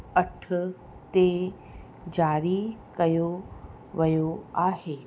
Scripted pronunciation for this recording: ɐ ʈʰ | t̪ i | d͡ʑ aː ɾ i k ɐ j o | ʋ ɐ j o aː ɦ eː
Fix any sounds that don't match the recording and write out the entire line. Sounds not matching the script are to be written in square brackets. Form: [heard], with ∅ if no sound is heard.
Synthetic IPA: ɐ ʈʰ | t̪ [e] | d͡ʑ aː ɾ i k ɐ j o | ʋ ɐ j o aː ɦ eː